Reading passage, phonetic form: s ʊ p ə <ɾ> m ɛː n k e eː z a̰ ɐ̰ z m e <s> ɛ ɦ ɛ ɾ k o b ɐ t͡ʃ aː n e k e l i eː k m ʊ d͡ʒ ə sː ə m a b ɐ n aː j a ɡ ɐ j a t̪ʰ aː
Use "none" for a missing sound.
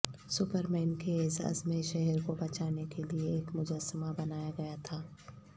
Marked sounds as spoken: ɾ, ʃ

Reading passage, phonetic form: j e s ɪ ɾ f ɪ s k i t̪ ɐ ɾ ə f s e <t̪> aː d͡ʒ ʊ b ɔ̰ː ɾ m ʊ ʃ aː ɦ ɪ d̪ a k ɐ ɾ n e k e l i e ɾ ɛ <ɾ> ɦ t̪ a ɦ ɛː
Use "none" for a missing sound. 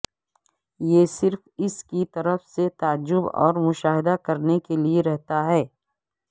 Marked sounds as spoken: t̪, none

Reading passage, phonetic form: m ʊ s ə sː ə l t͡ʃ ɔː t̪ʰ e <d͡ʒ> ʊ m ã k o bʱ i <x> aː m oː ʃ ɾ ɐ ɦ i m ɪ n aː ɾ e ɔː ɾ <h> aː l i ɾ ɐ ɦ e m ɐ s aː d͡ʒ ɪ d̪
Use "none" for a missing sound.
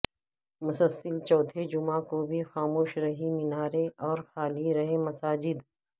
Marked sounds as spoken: d͡ʒ, x, x

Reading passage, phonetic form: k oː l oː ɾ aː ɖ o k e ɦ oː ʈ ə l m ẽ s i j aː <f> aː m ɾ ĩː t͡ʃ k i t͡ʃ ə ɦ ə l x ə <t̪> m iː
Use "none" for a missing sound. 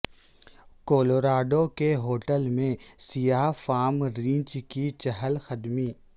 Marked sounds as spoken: f, d̪

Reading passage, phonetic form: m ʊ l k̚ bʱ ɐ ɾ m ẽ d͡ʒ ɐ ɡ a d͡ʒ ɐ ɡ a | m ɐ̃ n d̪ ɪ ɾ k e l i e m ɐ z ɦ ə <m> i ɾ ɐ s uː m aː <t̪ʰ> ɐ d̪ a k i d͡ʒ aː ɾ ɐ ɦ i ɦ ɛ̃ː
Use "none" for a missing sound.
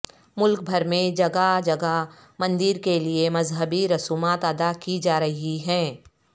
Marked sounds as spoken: b, t̪

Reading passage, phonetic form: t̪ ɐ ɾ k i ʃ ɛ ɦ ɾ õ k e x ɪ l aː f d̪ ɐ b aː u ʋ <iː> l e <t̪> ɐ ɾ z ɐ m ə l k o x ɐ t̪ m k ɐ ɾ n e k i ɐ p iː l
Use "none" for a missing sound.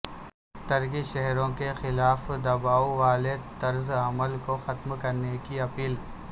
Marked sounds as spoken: aː, t̪

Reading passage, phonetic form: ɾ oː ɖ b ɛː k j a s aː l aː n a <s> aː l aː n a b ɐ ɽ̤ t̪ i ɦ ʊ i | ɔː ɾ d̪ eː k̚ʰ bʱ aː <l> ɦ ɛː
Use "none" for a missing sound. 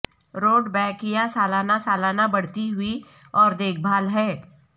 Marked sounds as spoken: s, l

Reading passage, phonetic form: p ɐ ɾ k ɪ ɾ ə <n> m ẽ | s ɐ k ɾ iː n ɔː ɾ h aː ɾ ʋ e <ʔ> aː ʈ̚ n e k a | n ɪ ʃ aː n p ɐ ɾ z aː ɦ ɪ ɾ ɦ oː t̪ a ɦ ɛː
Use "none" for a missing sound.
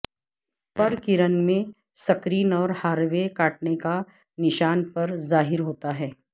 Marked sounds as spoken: n, k

